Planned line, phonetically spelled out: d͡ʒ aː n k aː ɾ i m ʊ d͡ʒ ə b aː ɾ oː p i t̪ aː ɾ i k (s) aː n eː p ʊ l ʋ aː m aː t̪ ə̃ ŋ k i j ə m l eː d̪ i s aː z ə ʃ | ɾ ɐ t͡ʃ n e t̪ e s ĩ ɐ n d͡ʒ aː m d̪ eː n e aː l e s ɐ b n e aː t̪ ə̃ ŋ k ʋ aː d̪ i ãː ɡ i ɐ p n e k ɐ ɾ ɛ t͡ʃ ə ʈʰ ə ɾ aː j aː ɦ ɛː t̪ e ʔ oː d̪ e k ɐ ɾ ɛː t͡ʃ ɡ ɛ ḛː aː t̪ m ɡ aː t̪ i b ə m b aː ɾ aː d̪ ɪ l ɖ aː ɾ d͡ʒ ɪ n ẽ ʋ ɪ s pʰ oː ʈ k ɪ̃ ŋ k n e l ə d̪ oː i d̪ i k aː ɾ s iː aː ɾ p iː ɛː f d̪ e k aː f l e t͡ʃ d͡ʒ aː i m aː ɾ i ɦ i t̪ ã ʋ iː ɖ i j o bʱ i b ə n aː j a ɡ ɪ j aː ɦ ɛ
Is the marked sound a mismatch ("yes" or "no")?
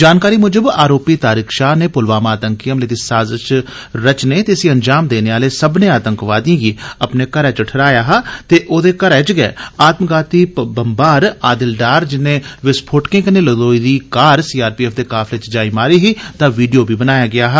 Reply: yes